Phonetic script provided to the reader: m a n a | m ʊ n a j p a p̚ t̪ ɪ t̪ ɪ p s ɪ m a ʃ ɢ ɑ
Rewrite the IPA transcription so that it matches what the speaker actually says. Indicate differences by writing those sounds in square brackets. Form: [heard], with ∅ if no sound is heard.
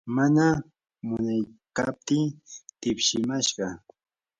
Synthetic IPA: m a n a | m ʊ n a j [k] a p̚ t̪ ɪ t̪ ɪ p [ʃ] ɪ m a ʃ ɢ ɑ